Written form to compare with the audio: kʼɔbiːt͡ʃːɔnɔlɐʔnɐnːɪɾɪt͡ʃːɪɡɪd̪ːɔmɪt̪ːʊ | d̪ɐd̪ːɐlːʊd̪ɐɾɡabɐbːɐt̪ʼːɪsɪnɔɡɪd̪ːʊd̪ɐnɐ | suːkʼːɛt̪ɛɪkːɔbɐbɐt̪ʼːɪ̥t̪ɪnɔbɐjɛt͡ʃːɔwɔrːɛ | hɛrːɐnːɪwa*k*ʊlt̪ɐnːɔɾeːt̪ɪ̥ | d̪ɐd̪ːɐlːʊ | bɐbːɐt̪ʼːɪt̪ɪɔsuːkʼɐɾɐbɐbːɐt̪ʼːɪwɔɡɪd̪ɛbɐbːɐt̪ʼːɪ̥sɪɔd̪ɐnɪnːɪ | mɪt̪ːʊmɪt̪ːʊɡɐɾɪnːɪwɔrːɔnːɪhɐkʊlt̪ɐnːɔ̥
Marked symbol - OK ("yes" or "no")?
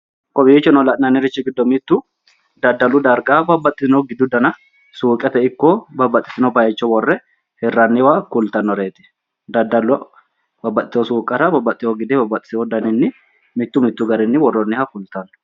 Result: yes